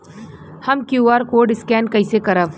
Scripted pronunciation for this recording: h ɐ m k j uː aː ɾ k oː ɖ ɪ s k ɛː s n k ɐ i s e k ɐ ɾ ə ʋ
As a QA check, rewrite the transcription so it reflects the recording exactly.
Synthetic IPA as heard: h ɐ m k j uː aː ɾ k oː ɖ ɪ s k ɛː n k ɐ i s e k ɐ ɾ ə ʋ